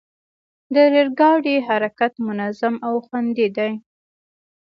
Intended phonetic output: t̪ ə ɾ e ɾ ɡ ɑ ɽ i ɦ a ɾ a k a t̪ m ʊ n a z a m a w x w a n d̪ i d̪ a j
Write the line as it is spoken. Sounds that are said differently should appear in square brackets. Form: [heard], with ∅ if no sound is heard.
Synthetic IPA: [d̪] ə ɾ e ɾ ɡ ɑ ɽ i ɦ a ɾ a k a t̪ m ʊ n a z a m a w x w a n d̪ i d̪ a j